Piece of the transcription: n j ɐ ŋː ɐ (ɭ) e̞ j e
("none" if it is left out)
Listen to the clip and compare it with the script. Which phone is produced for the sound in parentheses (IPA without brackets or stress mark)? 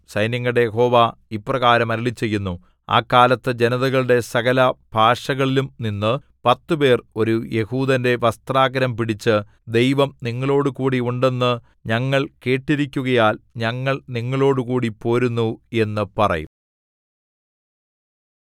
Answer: ɽ